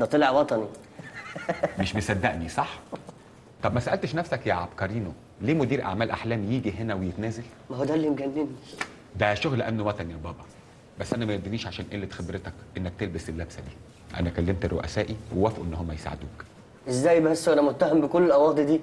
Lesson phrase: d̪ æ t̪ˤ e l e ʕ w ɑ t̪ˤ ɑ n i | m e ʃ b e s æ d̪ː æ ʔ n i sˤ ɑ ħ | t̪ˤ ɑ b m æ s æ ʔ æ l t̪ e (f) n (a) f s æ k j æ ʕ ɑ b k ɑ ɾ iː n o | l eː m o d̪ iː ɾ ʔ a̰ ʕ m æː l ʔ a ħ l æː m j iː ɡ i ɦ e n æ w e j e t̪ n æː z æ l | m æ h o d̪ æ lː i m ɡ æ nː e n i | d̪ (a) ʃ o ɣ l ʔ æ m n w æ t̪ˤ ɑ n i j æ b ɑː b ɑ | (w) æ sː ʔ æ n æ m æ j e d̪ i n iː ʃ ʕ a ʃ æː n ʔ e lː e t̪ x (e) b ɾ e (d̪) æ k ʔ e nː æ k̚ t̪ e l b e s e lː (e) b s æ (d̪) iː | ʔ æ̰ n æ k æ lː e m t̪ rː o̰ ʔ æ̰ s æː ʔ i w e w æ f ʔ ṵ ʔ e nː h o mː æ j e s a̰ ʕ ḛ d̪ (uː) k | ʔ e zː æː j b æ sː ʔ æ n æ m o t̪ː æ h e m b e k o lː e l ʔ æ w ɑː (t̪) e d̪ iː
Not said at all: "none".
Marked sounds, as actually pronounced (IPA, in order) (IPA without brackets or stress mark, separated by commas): ʃ, æ, æ, b, e, t̪, æ, d̪, uː, d̪